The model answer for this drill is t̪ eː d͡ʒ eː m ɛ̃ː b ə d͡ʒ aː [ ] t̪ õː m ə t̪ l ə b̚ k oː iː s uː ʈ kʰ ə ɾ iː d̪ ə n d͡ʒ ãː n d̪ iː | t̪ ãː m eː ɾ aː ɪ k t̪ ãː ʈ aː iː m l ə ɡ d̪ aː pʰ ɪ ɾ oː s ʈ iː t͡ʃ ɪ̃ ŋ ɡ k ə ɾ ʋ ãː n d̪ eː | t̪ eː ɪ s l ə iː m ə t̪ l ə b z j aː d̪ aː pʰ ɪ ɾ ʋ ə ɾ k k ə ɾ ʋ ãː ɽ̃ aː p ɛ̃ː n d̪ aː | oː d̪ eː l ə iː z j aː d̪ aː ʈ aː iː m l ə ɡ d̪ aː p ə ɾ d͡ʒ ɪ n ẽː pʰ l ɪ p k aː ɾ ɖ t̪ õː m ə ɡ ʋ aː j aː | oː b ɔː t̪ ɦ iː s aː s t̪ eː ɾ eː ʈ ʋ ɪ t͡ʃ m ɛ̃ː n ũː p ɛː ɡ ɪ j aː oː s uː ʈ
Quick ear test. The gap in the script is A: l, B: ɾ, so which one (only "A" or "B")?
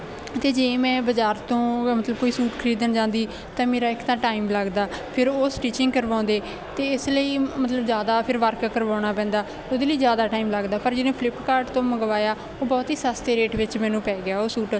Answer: B